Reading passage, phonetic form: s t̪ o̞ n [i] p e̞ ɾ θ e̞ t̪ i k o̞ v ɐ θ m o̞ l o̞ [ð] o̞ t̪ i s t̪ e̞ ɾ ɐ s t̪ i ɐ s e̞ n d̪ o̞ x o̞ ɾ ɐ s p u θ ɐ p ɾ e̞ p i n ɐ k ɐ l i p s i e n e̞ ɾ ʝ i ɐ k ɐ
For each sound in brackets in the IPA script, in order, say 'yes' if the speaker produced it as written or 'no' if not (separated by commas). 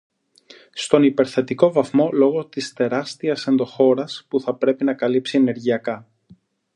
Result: yes, no